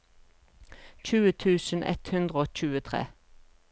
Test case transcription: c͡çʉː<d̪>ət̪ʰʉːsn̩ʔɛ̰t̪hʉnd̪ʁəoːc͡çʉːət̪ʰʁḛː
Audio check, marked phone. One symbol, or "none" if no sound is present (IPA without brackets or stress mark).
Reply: none